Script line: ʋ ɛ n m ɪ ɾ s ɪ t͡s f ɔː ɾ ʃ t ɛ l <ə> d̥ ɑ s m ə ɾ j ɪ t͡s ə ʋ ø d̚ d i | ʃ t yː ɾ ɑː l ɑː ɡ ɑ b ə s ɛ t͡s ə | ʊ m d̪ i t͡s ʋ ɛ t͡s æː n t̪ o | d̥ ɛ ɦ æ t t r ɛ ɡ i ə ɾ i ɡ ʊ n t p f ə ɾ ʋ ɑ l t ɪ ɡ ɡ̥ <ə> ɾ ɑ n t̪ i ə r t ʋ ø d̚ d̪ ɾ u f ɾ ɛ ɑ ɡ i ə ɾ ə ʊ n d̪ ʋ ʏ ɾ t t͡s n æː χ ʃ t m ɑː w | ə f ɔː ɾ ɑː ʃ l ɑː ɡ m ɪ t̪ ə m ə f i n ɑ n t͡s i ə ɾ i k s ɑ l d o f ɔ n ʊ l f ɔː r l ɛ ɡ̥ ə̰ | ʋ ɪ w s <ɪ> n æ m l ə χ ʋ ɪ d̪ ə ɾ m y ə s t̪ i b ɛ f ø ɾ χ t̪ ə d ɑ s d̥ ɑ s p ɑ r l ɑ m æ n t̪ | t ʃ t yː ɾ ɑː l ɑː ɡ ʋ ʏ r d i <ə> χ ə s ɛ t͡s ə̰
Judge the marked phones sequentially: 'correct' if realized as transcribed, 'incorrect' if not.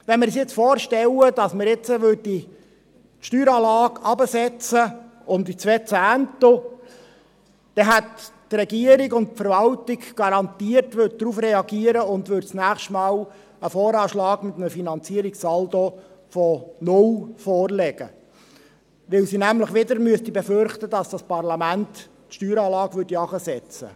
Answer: correct, incorrect: ɑ, incorrect: i, incorrect: ɑ

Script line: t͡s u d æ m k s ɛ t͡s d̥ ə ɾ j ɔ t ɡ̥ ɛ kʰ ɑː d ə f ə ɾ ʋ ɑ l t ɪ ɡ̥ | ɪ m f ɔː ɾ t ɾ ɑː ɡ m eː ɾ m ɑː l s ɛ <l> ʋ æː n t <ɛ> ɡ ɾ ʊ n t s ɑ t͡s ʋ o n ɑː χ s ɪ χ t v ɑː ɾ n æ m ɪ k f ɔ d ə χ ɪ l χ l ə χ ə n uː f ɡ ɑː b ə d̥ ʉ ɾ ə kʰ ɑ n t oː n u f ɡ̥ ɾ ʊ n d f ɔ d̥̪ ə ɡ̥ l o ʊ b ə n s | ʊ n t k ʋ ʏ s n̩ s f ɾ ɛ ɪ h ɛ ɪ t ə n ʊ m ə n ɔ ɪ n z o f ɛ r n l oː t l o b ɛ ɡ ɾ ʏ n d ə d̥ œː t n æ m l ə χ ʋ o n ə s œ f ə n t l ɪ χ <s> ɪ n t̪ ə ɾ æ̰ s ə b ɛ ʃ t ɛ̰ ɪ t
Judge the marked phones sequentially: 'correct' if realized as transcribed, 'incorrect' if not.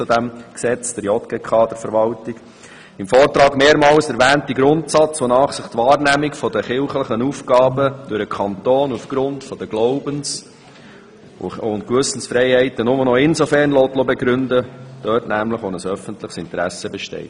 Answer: incorrect: ɾ, incorrect: i, correct

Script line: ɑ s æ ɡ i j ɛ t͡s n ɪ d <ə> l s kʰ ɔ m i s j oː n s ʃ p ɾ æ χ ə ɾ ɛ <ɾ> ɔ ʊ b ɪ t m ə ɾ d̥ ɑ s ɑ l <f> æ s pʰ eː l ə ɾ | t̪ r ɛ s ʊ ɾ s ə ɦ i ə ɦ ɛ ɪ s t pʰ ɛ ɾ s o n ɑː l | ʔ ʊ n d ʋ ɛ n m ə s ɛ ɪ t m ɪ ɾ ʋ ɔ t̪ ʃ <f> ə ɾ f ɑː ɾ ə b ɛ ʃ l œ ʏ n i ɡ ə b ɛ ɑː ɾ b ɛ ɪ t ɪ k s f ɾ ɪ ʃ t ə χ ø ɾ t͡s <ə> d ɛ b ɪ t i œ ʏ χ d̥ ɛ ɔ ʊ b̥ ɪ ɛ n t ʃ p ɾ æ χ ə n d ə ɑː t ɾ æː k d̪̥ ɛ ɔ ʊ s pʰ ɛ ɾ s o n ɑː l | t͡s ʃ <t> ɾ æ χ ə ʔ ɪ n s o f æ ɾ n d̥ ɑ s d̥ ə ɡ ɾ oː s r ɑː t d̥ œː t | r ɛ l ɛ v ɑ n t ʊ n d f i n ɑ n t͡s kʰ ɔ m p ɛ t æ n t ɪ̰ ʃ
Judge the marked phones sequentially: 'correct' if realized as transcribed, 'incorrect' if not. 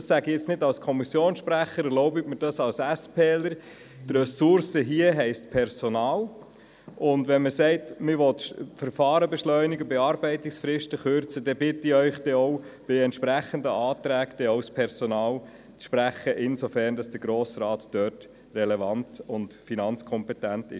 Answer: incorrect: ɑ, incorrect: l, incorrect: s, correct, correct, incorrect: p

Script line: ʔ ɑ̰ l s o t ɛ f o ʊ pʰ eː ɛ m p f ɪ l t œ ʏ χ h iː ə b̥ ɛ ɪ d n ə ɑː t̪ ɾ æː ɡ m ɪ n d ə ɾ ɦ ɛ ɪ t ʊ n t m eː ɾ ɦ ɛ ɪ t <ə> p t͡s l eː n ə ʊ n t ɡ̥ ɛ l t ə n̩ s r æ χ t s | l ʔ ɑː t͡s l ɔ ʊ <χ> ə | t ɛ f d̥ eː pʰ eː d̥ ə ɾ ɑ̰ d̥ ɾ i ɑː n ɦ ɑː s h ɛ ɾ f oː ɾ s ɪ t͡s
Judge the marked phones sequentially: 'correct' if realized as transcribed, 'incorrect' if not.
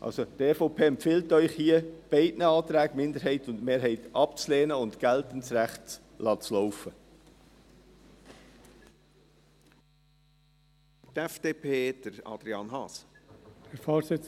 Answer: incorrect: ɑ, incorrect: f

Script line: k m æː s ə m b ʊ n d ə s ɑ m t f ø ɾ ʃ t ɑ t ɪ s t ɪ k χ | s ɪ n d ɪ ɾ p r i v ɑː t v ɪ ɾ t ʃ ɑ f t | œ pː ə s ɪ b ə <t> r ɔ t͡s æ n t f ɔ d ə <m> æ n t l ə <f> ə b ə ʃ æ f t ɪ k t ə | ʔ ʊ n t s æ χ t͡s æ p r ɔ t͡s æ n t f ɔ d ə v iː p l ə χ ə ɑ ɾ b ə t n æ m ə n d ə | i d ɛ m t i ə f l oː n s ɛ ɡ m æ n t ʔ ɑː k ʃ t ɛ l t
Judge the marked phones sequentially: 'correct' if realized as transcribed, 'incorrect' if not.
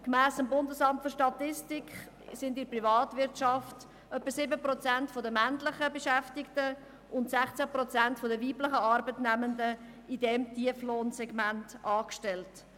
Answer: incorrect: p, correct, incorrect: χ

